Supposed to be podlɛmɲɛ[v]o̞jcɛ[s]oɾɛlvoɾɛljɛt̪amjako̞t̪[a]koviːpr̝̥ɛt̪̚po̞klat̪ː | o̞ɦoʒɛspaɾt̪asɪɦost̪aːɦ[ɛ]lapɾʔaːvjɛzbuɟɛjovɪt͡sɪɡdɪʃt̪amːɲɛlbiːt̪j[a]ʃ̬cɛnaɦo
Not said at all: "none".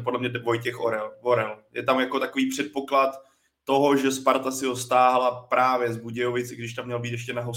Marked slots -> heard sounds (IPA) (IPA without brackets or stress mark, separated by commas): v, x, a, a, ɛ